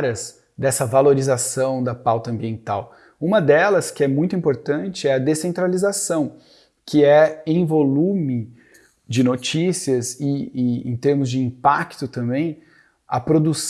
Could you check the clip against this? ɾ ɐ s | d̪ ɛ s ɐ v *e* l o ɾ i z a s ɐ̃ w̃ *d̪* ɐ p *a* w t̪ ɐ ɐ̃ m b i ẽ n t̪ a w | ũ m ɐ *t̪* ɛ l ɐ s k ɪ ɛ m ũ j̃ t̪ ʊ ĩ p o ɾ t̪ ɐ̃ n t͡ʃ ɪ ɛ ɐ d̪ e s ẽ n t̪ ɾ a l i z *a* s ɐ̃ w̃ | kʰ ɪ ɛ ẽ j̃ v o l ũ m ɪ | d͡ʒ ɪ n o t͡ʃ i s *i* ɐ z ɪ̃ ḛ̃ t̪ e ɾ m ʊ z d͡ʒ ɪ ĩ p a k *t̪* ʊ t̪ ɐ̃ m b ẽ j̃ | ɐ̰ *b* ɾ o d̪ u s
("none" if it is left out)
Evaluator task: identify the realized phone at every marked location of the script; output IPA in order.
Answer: a, d̪, a, d̪, a, i, t̪, p

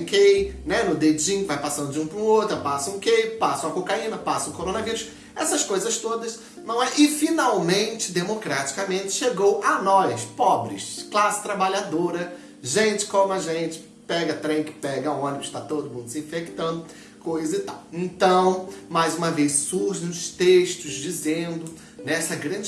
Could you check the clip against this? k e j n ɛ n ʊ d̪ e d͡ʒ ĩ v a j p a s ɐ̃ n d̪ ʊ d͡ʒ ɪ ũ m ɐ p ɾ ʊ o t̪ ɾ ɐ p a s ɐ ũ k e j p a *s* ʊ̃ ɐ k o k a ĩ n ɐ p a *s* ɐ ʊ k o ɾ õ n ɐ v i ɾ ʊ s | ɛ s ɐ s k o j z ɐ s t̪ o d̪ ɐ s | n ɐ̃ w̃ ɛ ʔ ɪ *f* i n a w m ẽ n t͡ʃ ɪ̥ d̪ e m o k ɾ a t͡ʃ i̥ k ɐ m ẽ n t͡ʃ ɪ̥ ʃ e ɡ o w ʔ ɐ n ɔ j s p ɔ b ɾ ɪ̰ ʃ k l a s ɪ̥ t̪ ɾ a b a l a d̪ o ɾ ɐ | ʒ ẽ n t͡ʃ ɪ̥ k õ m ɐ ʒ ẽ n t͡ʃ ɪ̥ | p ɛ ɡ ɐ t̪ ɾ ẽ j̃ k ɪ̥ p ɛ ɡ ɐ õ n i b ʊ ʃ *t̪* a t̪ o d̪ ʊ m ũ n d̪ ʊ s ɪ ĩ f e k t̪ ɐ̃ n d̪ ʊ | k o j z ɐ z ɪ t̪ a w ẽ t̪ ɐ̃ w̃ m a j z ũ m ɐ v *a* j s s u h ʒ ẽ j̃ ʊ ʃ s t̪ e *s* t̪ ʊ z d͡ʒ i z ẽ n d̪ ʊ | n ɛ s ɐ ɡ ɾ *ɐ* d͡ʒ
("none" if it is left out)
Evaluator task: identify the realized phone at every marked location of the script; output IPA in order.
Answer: s, s, f, t̪, e, ʃ, ɐ̃

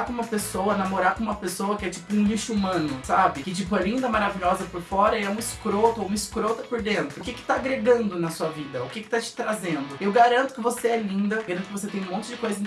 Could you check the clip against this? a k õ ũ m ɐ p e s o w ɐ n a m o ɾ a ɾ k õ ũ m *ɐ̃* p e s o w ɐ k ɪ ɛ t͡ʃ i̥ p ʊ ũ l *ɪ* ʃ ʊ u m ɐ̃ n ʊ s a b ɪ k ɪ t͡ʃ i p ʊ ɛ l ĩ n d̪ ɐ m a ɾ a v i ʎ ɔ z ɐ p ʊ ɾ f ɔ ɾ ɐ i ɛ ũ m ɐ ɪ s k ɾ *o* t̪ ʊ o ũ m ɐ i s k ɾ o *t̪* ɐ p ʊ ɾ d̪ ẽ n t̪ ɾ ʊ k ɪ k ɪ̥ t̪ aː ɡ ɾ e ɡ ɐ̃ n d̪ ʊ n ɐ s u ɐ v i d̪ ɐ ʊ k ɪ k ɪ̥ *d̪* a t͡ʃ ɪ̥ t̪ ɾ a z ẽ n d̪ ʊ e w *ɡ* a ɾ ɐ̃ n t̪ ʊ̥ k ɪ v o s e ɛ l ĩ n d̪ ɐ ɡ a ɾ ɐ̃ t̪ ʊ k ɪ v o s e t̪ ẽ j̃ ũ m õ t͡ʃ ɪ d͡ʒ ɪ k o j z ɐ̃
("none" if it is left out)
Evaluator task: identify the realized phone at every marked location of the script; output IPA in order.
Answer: ɐ, i, o, t̪, t̪, ɡ

